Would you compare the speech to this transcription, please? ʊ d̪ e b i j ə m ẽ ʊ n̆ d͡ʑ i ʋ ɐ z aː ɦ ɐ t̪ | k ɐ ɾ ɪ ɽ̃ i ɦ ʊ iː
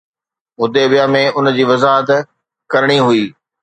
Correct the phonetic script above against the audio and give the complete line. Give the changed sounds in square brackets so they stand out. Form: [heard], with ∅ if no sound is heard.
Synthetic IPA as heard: ʊ d̪ e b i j [a] m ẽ ʊ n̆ d͡ʑ [iː] ʋ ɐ z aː ɦ [ə] t̪ | k ɐ ɾ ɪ ɽ̃ i ɦ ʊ iː